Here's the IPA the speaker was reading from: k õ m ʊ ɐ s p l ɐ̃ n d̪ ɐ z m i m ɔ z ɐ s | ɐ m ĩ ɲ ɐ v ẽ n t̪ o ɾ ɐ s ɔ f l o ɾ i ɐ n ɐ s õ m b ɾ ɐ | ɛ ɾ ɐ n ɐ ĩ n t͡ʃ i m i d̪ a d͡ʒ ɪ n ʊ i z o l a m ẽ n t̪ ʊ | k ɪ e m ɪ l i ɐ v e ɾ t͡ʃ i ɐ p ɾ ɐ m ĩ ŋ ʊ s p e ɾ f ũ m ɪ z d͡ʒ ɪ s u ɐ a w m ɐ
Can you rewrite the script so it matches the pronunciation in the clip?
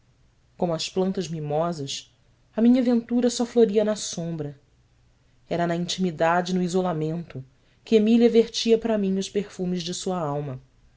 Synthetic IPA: k õ m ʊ ɐ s p l ɐ̃ n t̪ ɐ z m i m ɔ z ɐ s | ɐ m ĩ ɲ ɐ v ẽ n t̪ u ɾ ɐ s ɔ f l o ɾ i ɐ n ɐ s õ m b ɾ ɐ | ɛ ɾ ɐ n ɐ ĩ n t͡ʃ i m i d̪ a d͡ʒ ɪ n ʊ i z o l a m ẽ n t̪ ʊ | k ɪ e m i l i ɐ v e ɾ t͡ʃ i ɐ p ɾ ɐ m ĩ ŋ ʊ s p e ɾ f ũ m ɪ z d͡ʒ ɪ s u ɐ a w m ɐ